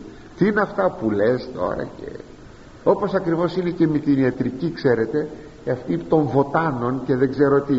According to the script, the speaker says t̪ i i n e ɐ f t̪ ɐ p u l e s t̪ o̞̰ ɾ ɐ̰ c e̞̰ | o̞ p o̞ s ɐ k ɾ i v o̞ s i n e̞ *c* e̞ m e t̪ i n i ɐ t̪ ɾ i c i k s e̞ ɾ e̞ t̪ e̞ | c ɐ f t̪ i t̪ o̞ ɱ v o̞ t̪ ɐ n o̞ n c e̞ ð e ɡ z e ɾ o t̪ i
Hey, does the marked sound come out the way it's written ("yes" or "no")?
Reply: yes